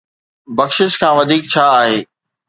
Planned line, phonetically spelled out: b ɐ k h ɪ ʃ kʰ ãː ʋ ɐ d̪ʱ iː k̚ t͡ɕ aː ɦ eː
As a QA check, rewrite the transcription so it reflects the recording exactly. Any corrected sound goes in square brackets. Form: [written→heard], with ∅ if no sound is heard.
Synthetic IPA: b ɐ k [h→ʃ] ɪ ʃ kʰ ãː ʋ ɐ d̪ʱ iː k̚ [t͡ɕ→t͡ɕʰ] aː ɦ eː